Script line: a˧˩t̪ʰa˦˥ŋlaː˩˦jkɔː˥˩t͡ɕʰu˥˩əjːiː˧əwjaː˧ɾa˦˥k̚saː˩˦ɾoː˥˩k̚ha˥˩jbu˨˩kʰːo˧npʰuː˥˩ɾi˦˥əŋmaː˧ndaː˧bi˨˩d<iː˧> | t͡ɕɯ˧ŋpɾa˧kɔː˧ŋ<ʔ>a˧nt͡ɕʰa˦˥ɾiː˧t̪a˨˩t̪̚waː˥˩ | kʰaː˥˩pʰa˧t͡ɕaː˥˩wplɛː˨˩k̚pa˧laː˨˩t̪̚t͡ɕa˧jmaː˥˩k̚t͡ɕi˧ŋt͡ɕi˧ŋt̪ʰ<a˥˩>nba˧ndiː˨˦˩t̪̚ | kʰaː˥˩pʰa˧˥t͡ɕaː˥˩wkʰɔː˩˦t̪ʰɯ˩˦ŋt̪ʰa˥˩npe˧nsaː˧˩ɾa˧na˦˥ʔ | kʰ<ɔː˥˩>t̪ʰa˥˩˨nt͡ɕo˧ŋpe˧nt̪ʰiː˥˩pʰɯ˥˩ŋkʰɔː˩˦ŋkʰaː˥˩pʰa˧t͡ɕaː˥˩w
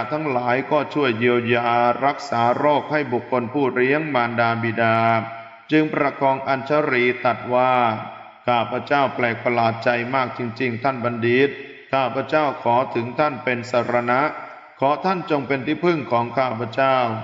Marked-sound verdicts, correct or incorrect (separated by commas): incorrect, correct, correct, incorrect